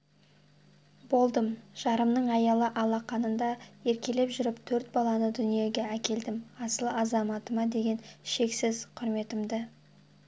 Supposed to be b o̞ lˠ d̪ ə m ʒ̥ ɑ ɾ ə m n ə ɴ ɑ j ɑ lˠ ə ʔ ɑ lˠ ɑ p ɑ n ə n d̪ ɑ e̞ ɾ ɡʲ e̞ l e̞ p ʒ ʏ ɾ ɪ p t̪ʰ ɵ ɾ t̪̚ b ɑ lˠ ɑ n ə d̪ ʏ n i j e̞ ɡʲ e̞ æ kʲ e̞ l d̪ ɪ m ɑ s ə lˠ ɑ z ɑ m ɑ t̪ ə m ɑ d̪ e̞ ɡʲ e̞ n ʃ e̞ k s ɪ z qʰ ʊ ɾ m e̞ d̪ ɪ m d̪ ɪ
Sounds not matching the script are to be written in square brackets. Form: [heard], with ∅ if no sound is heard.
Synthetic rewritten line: b o̞ lˠ d̪ ə m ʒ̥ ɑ ɾ ə m n ə ɴ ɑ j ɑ lˠ ə ʔ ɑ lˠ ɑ [q] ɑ n ə n d̪ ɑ e̞ ɾ [kʲ] e̞ l e̞ p ʒ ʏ ɾ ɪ p t̪ʰ ɵ ɾ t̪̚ b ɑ lˠ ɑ n ə d̪ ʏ n i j e̞ ɡʲ e̞ æ kʲ e̞ l d̪ ɪ m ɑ s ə lˠ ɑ z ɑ m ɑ t̪ ə m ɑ d̪ e̞ ɡʲ e̞ n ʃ e̞ k s ɪ z qʰ ʊ ɾ m e̞ [t̪] ɪ m d̪ ɪ